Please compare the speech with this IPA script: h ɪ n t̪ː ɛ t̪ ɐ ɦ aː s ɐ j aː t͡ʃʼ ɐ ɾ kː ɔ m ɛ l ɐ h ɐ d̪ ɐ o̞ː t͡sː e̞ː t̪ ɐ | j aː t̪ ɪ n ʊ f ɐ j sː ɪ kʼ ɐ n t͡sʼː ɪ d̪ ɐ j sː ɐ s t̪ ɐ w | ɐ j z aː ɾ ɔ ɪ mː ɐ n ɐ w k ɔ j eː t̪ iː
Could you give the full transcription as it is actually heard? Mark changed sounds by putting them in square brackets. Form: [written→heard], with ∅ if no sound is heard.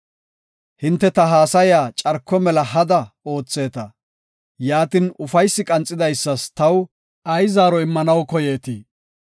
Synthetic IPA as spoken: h ɪ n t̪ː ɛ t̪ ɐ ɦ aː s ɐ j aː t͡ʃʼ ɐ ɾ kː ɔ m ɛ l ɐ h ɐ d̪ ɐ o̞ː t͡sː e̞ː t̪ ɐ | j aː t̪ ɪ n ʊ f ɐ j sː ɪ kʼ ɐ n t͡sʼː ɪ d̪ ɐ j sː ɐ s t̪ ɐ w | ɐ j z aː ɾ ɔ ɪ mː ɐ n ɐ w k ɔ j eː t̪ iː

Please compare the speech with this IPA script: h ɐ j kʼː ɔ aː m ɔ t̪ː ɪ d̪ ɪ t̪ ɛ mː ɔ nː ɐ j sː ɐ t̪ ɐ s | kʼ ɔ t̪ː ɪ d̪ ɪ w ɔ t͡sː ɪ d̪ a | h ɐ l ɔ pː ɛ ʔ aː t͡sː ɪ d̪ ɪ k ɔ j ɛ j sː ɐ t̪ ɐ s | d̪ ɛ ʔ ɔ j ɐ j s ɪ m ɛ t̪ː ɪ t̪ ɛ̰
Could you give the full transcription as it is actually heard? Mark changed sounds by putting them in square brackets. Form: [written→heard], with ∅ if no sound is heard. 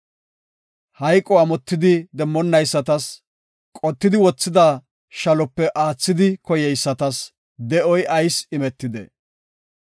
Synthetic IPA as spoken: h ɐ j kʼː ɔ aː m ɔ t̪ː ɪ d̪ ɪ [t̪→d̪] ɛ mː ɔ nː ɐ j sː ɐ t̪ ɐ s | kʼ ɔ t̪ː ɪ d̪ ɪ w ɔ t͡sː ɪ d̪ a | [h→ʃ] ɐ l ɔ pː ɛ ʔ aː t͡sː ɪ d̪ ɪ k ɔ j ɛ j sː ɐ t̪ ɐ s | d̪ ɛ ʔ ɔ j ɐ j s ɪ m ɛ t̪ː ɪ [t̪→d̪] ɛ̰

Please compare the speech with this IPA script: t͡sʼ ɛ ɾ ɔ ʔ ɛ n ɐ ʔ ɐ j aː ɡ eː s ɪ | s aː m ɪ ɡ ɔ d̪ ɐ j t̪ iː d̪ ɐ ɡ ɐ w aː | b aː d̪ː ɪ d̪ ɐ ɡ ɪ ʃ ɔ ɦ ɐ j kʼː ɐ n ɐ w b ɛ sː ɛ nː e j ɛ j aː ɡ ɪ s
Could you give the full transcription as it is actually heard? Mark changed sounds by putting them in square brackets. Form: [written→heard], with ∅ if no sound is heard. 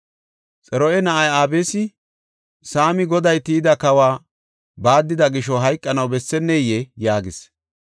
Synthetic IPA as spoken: t͡sʼ ɛ ɾ ɔ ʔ ɛ n ɐ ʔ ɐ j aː [ɡ→b] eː s ɪ | s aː m ɪ ɡ ɔ d̪ ɐ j t̪ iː d̪ ɐ [ɡ→k] ɐ w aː | b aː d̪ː ɪ d̪ ɐ ɡ ɪ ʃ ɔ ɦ ɐ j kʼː ɐ n ɐ w b ɛ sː ɛ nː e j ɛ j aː ɡ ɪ s

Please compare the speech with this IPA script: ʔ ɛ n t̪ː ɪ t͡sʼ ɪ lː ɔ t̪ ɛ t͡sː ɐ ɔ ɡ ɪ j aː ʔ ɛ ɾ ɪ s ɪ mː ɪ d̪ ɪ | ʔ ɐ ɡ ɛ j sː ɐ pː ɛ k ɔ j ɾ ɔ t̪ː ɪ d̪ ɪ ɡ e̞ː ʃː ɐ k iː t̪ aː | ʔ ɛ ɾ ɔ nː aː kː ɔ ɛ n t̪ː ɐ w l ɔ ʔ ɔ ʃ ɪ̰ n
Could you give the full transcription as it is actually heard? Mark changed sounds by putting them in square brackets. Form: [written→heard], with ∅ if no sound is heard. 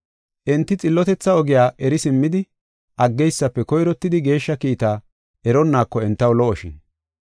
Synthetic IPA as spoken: ʔ ɛ n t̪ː ɪ t͡sʼ ɪ lː ɔ t̪ ɛ t͡sː ɐ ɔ ɡ ɪ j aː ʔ ɛ ɾ ɪ s ɪ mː ɪ d̪ ɪ | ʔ ɐ [ɡ→ɡː] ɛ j sː ɐ pː ɛ k ɔ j ɾ ɔ t̪ː ɪ d̪ ɪ ɡ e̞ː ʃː ɐ k iː t̪ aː | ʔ ɛ ɾ ɔ nː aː kː ɔ ɛ n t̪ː ɐ w l ɔ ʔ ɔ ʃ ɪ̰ n

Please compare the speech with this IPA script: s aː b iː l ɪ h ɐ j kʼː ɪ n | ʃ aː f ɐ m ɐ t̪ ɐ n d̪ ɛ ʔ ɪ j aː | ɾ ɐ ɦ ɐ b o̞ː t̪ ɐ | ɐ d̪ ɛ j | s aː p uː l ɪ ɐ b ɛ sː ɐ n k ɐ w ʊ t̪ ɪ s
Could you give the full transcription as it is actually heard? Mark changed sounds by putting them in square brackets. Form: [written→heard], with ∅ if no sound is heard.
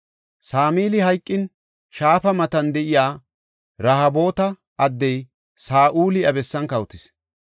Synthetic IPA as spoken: s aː [b→m] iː l ɪ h ɐ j kʼː ɪ n | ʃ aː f ɐ m ɐ t̪ ɐ n d̪ ɛ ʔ ɪ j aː | ɾ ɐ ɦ ɐ b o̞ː t̪ ɐ | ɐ [d̪→d̪ː] ɛ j | s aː [p→ʔ] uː l ɪ ɐ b ɛ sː ɐ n k ɐ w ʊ t̪ ɪ s

